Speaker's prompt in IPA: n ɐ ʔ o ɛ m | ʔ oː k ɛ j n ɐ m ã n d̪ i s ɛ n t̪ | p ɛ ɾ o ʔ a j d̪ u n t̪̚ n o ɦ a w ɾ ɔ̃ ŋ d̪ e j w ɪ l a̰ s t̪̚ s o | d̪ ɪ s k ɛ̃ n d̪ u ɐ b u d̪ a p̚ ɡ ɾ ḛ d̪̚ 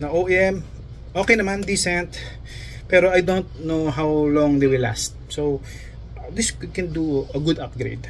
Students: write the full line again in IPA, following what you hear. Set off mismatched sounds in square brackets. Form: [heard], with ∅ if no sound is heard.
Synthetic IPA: n ɐ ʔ o ɛ m | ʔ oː k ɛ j n ɐ m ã n d̪ i s ɛ n t̪ | p ɛ ɾ o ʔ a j d̪ [o] n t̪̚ n o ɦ a w [l] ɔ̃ ŋ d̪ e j w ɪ l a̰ s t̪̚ s o | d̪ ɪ s k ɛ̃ n d̪ u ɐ [ɡ] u d̪ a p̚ ɡ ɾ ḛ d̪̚